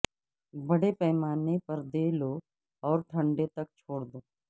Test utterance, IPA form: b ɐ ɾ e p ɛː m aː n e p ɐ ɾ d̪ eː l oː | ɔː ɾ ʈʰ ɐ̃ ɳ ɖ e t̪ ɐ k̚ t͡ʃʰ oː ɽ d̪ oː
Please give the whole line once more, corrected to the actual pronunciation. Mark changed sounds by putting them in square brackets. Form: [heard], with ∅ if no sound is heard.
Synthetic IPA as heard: b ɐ [ɽ] e p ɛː m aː n e p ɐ ɾ d̪ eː l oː | ɔː ɾ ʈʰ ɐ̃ ɳ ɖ e t̪ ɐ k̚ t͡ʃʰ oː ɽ d̪ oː